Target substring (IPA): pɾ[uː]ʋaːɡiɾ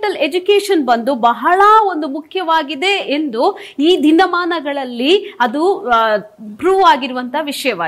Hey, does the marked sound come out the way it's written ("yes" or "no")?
yes